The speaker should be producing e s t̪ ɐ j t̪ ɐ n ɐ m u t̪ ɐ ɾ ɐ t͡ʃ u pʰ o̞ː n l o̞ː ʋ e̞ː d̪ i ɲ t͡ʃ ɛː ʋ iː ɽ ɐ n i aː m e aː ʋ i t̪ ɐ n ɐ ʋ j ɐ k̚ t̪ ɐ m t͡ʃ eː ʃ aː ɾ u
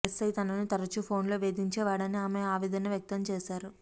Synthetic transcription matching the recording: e s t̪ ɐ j t̪ ɐ n ɐ n u t̪ ɐ ɾ ɐ t͡ʃ u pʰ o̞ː n l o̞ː ʋ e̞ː d̪ i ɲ t͡ʃ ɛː ʋ aː ɽ ɐ n i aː m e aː ʋ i d̪ ɐ n ɐ ʋ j ɐ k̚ t̪ ɐ m t͡ʃ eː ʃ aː ɾ u